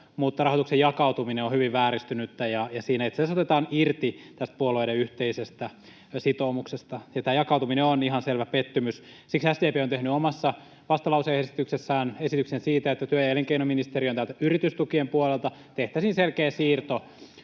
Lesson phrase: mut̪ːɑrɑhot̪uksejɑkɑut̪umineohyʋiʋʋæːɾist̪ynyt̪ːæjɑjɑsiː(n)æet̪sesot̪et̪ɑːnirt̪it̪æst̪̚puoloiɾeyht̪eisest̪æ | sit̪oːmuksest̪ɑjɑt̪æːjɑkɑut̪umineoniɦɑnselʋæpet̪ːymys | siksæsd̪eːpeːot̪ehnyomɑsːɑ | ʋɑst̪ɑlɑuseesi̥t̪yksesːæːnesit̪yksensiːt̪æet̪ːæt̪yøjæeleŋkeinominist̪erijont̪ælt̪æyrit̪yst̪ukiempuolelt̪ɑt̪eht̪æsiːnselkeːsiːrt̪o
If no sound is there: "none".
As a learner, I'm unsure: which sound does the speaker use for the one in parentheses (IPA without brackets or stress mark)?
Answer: n